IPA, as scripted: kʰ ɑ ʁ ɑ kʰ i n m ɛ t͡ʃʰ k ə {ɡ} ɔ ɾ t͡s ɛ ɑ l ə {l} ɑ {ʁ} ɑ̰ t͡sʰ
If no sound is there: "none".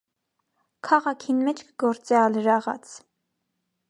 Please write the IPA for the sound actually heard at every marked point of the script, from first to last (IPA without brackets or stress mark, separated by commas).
ɡ, ɾ, ʁ